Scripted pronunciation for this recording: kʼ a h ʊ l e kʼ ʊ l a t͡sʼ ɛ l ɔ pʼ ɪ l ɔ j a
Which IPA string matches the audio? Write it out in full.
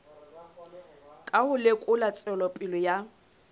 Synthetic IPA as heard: kʼ a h ʊ l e kʼ ʊ l a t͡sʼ ɛ l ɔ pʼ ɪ l ɔ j a